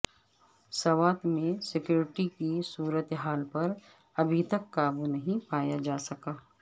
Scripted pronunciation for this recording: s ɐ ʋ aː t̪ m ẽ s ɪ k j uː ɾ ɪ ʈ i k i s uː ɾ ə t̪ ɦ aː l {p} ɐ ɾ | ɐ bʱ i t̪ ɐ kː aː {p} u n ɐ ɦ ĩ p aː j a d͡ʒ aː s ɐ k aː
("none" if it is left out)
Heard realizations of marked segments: p, b

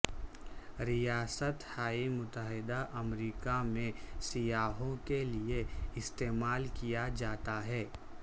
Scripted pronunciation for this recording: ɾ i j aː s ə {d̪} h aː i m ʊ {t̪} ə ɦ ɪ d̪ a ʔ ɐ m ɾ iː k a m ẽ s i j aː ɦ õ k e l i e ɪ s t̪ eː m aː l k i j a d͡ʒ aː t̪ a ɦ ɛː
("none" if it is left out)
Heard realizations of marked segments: t̪, t̪

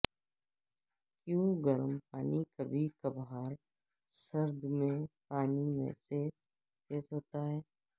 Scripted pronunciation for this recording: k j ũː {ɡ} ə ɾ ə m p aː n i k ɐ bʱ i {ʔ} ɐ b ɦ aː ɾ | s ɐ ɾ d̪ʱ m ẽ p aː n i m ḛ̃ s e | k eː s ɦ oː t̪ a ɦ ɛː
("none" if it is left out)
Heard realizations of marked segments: ɡ, k

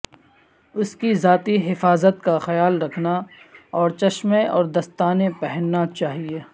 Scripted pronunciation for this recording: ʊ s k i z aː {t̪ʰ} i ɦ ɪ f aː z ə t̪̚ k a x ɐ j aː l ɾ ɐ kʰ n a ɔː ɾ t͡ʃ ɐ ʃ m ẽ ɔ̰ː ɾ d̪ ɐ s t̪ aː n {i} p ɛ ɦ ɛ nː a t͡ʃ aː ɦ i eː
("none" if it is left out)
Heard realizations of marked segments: t̪, e

